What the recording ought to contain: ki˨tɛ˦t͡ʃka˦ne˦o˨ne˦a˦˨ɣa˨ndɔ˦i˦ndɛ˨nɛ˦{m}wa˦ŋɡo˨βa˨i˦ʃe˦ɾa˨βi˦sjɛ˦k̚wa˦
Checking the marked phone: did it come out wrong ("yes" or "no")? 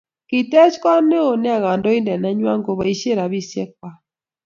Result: yes